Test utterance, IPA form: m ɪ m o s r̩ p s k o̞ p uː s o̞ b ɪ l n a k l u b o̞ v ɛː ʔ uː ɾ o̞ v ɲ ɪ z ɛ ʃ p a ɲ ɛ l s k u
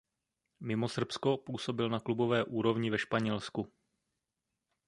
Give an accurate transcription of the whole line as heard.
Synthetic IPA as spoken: m ɪ m o s r̩ p s k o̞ p uː s o̞ b ɪ l n a k l u b o̞ v ɛː ʔ uː ɾ o̞ v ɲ ɪ v ɛ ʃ p a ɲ ɛ l s k u

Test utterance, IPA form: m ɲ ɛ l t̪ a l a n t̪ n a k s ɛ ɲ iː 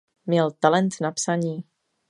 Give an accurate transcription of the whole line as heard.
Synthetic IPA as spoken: m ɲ ɛ l t̪ a l ɛ n t̪ n a p s a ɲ iː

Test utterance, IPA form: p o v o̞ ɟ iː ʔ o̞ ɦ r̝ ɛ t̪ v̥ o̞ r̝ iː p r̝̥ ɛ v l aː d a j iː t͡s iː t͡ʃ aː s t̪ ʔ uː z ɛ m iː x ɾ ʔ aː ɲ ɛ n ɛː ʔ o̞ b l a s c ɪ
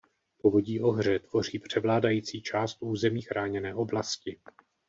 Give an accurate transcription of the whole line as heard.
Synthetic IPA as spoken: p o v o̞ ɟ iː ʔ o̞ ɦ r̝ ɛ t̪ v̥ o̞ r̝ iː p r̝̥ ɛ v l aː d a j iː t͡s iː t͡ʃ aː s t̪ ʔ uː z ɛ m iː x ɾ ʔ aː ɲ ɛ n ɛː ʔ o̞ b l a s c ɪ

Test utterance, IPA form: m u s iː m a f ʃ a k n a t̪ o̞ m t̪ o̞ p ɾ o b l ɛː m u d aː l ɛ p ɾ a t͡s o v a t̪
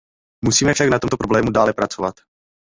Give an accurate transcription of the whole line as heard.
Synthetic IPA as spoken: m u s iː m ɛ f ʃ a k n a t̪ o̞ m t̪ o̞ p ɾ o b l ɛː m u d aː l ɛ p ɾ a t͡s o v a t̪

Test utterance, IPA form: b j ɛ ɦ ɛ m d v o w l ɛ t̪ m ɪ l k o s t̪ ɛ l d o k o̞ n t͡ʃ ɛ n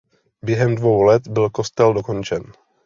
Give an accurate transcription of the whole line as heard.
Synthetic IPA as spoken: b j ɛ ɦ ɛ m d v o w l ɛ t̪ b ɪ l k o s t̪ ɛ l d o k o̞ n t͡ʃ ɛ n

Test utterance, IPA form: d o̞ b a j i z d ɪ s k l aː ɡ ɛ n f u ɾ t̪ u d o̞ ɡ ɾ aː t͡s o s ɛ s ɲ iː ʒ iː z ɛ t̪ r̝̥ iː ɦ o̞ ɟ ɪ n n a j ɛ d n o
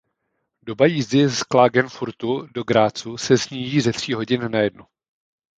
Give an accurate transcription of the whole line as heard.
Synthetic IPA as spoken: d o̞ b a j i z d ɪ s k l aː ɡ ɛ n f u ɾ t̪ u d o̞ ɡ ɾ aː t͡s u s ɛ s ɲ iː ʒ iː z ɛ t̪ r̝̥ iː ɦ o̞ ɟ ɪ n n a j ɛ d n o

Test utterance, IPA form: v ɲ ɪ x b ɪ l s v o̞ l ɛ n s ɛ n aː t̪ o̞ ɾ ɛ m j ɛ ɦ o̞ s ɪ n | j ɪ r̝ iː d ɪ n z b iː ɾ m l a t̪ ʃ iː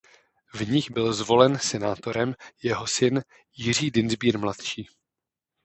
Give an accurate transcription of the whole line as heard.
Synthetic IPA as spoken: v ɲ ɪ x b ɪ l z v o̞ l ɛ n s ɛ n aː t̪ o̞ ɾ ɛ m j ɛ ɦ o̞ s ɪ n | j ɪ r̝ iː d ɪ n z b iː ɾ m l a t̪ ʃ iː

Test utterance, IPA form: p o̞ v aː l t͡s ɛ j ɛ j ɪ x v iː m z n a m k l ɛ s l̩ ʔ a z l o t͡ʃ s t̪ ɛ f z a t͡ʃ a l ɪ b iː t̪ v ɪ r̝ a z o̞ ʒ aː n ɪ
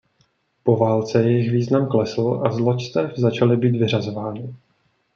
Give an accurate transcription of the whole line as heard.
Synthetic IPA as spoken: p o̞ v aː l t͡s ɛ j ɛ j ɪ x v iː z n a m k l ɛ s l̩ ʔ a z l o t͡ʃ s t̪ ɛ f z a t͡ʃ a l ɪ b iː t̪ v ɪ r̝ a z o̞ v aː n ɪ

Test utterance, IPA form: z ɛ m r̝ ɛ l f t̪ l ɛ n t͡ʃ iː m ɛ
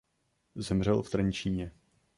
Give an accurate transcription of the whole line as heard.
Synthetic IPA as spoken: z ɛ m r̝ ɛ l f t̪ ɾ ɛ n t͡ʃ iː ɲ ɛ

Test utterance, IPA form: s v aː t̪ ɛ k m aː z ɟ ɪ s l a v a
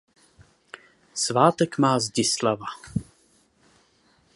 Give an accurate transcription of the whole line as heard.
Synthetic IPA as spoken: s v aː t̪ ɛ k m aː z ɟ ɪ s l a v a

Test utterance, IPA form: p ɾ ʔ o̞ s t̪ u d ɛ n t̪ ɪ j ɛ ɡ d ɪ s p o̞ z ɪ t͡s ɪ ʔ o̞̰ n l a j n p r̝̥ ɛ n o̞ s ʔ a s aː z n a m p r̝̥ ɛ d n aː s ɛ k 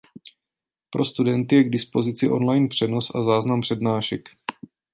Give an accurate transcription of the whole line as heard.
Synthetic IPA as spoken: p ɾ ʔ o̞ s t̪ u d ɛ n t̪ ɪ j ɛ ɡ d ɪ s p o̞ z ɪ t͡s ɪ ʔ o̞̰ n l a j n p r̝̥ ɛ n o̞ s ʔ a z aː z n a m p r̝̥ ɛ d n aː ʃ ɛ k

